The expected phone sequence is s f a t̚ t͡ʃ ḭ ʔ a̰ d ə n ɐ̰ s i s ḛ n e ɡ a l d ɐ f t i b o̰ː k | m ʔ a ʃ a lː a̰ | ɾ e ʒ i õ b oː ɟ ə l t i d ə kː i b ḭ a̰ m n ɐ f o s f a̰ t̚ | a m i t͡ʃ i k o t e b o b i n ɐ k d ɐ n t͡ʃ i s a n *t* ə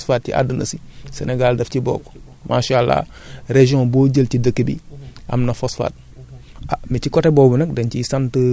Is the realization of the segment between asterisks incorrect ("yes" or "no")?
no